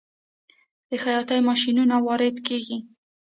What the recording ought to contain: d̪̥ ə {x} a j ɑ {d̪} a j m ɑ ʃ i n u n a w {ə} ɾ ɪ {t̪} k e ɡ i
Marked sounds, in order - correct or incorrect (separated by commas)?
correct, incorrect, incorrect, incorrect